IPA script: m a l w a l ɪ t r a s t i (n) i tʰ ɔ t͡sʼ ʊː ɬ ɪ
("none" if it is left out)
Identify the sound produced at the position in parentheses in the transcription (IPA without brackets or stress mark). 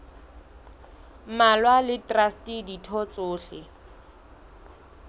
d